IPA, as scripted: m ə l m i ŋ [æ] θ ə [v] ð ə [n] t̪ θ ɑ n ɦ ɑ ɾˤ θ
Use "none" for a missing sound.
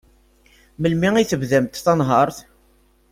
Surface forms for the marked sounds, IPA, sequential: i, v, m

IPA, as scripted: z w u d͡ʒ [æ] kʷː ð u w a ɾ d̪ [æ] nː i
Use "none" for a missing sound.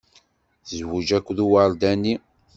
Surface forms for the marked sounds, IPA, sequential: æ, æ

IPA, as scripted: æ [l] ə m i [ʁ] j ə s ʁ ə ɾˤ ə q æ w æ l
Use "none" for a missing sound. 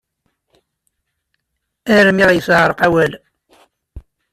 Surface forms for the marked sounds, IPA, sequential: ɾ, ʁ

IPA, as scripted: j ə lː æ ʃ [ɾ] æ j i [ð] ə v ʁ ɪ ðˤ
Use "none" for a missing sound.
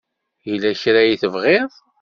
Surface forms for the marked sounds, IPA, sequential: ɾ, θ

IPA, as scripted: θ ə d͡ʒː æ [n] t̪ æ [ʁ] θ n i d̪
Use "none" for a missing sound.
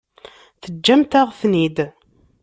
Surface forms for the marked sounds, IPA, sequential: m, ʁ

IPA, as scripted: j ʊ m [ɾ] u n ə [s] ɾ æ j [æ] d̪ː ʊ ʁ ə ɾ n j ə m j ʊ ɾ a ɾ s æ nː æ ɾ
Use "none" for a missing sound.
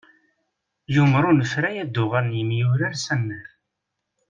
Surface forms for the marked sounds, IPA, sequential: ɾ, f, æ

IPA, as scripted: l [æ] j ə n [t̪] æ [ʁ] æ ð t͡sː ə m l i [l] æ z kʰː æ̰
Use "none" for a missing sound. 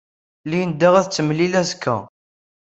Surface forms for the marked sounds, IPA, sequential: i, d̪, ʁ, l

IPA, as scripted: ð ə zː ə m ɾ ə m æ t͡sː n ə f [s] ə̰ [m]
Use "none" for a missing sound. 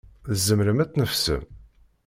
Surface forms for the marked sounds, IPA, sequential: s, m

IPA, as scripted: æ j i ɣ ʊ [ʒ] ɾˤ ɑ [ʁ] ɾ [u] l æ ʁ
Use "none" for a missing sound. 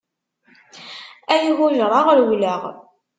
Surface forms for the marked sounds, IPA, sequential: ʒ, ʁ, w

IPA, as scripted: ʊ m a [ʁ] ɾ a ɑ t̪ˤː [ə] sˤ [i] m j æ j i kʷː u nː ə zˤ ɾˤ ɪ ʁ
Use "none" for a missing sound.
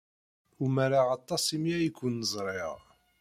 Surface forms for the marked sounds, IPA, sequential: none, ɑ, i

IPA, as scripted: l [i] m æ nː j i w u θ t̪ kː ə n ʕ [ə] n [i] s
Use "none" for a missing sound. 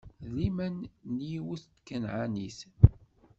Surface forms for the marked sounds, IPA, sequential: i, a, i

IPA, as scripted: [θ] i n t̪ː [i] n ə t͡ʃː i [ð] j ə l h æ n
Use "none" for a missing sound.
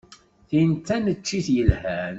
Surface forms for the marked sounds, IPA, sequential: θ, æ, θ

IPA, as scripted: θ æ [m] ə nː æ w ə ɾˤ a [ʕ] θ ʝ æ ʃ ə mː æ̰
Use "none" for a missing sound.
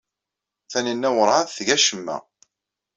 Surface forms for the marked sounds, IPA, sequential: n, ð

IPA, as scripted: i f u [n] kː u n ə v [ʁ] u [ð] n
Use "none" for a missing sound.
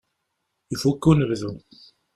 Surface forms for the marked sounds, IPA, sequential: none, ð, none

